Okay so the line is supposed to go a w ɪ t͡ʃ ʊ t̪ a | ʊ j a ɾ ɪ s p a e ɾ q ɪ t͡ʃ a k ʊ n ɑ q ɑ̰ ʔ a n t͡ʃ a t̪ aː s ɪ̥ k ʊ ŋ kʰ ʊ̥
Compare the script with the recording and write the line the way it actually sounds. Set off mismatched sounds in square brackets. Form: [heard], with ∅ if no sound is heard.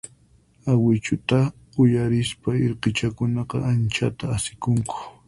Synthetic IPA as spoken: a w ɪ t͡ʃ ʊ t̪ a | ʊ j a ɾ ɪ s p a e ɾ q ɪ t͡ʃ a k ʊ n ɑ q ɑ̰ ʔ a n t͡ʃ a t̪ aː s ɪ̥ k ʊ ŋ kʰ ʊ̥